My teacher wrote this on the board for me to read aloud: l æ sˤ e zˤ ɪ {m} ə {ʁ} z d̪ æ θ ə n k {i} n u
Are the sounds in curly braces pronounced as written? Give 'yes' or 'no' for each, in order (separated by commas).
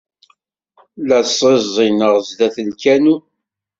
no, yes, no